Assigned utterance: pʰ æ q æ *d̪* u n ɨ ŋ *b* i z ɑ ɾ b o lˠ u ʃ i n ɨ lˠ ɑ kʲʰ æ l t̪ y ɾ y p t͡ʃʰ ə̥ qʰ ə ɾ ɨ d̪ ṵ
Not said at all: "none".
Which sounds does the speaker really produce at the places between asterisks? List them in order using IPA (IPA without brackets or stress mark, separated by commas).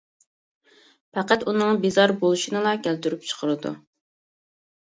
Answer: t̪, b